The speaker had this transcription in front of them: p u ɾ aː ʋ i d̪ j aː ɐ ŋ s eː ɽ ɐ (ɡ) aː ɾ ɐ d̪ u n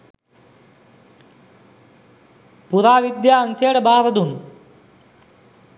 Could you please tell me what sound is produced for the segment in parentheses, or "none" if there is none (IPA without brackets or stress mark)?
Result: b